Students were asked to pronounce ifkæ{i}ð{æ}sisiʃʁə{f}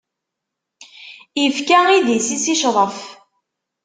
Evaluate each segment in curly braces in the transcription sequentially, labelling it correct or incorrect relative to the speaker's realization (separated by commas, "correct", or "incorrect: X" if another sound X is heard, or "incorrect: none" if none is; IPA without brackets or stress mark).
correct, incorrect: i, correct